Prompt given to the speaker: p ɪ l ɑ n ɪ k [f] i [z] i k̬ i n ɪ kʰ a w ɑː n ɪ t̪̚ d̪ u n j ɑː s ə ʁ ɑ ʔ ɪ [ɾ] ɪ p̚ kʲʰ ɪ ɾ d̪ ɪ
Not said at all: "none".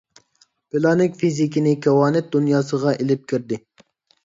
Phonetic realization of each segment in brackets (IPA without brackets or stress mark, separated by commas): f, z, l